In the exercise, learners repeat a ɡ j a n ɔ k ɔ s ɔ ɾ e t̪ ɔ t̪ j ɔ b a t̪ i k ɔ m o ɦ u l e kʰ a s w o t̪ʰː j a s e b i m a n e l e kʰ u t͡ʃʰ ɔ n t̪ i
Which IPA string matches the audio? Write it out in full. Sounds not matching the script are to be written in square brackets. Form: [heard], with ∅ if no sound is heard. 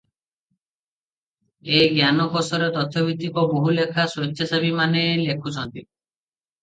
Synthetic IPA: [e] ɡ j a n ɔ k ɔ s ɔ ɾ e t̪ ɔ [t̪ʰ] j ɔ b [i] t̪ i k ɔ [b] o ɦ u l e kʰ a s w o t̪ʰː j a s [a] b i m a n e l e kʰ u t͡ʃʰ ɔ n t̪ i